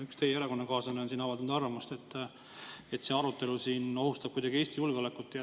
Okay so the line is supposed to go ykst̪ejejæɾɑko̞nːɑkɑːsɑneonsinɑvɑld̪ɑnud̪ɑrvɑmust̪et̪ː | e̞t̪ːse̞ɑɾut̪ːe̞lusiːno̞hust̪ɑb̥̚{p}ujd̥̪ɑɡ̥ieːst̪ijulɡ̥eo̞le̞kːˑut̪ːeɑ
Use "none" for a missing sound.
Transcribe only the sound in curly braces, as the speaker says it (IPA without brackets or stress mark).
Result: k